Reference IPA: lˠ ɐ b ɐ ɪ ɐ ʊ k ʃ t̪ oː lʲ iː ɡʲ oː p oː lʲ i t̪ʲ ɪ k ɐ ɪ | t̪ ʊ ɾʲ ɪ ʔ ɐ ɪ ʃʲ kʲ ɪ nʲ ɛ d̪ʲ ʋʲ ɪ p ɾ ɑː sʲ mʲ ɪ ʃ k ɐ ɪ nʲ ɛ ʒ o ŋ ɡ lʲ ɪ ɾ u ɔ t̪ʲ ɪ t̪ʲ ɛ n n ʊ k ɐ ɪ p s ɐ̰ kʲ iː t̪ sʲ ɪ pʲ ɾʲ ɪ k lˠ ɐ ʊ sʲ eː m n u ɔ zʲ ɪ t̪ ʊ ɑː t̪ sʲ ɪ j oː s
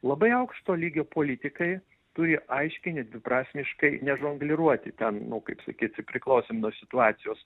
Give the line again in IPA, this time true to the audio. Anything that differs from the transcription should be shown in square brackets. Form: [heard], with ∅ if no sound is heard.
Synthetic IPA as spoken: lˠ ɐ b ɐ ɪ ɐ ʊ k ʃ t̪ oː lʲ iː ɡʲ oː p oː lʲ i t̪ʲ ɪ k ɐ ɪ | t̪ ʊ ɾʲ ɪ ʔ ɐ ɪ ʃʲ kʲ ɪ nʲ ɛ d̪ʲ ʋʲ ɪ p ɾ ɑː sʲ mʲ ɪ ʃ k ɐ ɪ nʲ ɛ ʒ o ŋ ɡ lʲ ɪ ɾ u ɔ t̪ʲ ɪ t̪ʲ ɛ n n ʊ k ɐ ɪ p s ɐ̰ kʲ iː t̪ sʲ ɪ pʲ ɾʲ ɪ k lˠ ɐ ʊ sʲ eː m n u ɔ [sʲ] ɪ t̪ ʊ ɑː t̪ sʲ ɪ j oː s